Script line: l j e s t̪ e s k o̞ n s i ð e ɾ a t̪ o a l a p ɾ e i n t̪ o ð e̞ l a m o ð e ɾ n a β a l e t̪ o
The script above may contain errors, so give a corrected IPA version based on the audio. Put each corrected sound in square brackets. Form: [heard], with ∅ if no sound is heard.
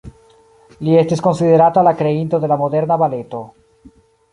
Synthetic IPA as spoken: l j e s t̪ e s k o̞ n s i ð e ɾ a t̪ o a l a [k] ɾ e i n t̪ o ð e̞ l a m o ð e ɾ n a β a l e t̪ o